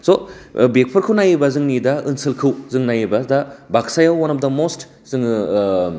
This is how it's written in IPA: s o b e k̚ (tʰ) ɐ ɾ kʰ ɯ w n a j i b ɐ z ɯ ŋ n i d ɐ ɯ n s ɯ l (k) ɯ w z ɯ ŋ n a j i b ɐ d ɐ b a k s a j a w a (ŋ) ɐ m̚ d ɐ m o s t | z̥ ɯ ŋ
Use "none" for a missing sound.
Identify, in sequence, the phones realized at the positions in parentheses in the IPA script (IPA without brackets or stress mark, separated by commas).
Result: pʰ, kʰ, n